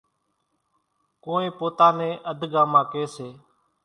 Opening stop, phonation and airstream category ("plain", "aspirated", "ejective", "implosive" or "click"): plain